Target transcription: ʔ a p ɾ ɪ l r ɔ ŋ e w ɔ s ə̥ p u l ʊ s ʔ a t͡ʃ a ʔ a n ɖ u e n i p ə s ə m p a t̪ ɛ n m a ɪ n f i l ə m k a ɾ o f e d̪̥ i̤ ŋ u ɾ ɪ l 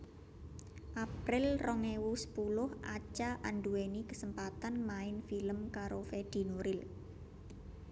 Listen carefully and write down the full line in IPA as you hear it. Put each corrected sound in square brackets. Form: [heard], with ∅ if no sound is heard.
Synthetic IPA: ʔ a p ɾ ɪ l r ɔ ŋ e w [u] s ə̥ p u l ʊ [h] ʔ a t͡ʃ a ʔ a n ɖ u e n i [k] ə s ə m p a t̪ [a] n m a ɪ n f i l ə m k a ɾ o f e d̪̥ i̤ [n] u ɾ ɪ l

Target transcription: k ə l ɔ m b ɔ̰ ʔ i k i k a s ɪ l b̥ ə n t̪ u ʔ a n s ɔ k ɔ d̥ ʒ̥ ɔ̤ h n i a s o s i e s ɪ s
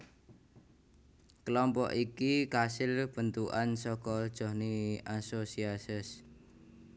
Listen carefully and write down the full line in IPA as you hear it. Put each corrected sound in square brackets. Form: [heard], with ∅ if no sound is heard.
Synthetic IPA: k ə l ɔ m [p] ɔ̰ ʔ i k i k a s ɪ l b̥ ə n t̪ u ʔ a n s ɔ k ɔ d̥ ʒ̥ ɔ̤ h n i a s o s i [a] s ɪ s

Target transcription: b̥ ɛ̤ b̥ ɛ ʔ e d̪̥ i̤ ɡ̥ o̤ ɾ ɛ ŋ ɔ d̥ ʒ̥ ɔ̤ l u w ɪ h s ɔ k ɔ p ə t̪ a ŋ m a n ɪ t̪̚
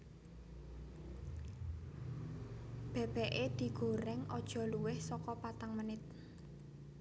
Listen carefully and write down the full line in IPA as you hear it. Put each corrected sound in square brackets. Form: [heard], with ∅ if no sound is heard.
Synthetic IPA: b̥ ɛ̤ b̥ ɛ ʔ e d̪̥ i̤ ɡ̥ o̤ ɾ ɛ ŋ ɔ d̥ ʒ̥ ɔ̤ l u w ɪ h s ɔ k ɔ p [a] t̪ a ŋ m [ə] n ɪ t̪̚

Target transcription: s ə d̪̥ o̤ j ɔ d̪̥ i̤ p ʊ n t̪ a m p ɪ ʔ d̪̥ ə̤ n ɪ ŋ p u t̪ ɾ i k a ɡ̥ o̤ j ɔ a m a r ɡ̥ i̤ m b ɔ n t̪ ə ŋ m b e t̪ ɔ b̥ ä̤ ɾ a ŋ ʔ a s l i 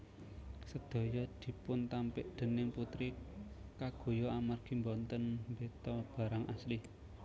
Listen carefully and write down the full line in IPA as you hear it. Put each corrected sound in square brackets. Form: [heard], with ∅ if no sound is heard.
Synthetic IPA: s ə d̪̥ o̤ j ɔ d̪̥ i̤ p ʊ n t̪ a m p ɪ ʔ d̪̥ ə̤ n ɪ ŋ p u t̪ ɾ i k a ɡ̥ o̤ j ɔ a m a r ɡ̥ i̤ m b ɔ n t̪ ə [n] m b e t̪ ɔ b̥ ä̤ ɾ a ŋ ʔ a s l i

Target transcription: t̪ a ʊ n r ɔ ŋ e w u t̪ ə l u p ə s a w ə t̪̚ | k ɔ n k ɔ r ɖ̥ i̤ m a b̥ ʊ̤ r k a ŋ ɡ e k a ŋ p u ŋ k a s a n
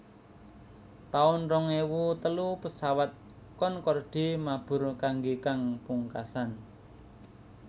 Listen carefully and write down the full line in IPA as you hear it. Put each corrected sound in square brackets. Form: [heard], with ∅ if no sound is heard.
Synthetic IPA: t̪ a ʊ n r ɔ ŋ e w u t̪ ə l u p ə s a w [a] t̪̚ | k ɔ n k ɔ r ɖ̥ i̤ m a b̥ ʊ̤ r k a ŋ ɡ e k a ŋ p u ŋ k a s a n

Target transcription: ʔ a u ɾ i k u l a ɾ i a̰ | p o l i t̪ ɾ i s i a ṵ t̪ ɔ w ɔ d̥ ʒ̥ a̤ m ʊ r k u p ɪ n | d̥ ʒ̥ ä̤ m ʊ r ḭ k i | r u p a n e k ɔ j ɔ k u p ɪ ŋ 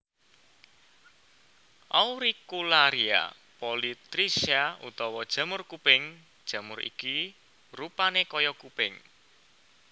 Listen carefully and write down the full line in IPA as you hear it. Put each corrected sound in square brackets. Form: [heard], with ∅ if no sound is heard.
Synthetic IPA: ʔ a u ɾ i k u l a ɾ i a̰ | p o l i t̪ ɾ i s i a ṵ t̪ ɔ w ɔ d̥ ʒ̥ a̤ m ʊ r k u p ɪ [ŋ] | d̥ ʒ̥ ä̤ m ʊ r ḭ k i | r u p a n e k ɔ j ɔ k u p ɪ ŋ

